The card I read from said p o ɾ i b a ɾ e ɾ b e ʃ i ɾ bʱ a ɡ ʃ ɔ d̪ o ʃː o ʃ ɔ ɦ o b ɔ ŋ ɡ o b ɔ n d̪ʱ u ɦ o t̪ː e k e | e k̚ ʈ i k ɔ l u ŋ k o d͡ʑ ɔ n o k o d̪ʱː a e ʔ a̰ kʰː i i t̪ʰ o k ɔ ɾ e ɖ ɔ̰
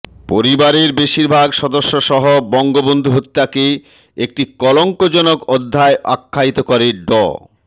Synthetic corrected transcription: p o ɾ i b a ɾ e ɾ b e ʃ i ɾ bʱ a ɡ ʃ ɔ d̪ o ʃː o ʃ ɔ ɦ o b ɔ ŋ ɡ o b o n d̪ʱ u ɦ o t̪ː a k e | e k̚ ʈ i k ɔ l o ŋ k o d͡ʑ ɔ n o k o d̪ʱː a e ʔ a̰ kʰː a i t̪ o k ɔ ɾ e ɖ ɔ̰